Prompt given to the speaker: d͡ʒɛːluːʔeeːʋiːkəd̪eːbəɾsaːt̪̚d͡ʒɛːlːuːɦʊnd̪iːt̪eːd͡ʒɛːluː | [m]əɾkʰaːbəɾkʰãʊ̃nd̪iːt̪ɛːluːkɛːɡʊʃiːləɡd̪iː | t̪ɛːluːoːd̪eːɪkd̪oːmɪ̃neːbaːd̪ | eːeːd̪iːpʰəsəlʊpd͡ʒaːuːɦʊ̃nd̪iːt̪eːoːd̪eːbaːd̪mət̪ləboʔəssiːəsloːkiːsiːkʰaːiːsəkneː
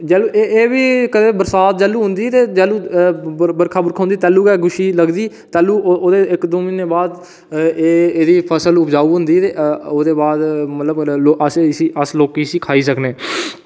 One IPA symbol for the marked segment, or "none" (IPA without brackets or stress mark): b